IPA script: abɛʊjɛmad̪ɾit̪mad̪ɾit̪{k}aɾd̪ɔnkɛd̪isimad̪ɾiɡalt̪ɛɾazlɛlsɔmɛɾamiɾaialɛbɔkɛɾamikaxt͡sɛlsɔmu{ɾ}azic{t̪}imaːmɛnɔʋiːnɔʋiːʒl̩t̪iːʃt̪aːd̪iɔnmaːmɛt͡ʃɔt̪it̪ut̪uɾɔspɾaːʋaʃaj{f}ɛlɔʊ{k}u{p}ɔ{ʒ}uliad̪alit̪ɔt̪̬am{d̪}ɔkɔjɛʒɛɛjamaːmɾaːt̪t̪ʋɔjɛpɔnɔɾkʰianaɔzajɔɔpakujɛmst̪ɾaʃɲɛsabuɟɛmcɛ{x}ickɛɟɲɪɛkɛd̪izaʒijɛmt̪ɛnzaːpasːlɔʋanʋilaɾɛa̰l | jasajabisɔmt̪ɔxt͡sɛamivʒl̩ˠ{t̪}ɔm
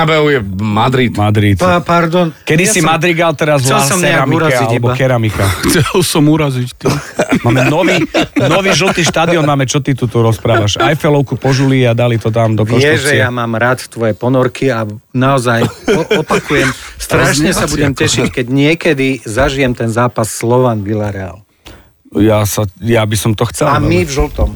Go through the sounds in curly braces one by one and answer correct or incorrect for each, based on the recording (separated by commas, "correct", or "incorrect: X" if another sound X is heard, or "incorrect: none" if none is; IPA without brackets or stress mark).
incorrect: p, correct, correct, correct, correct, correct, correct, correct, incorrect: ʃ, correct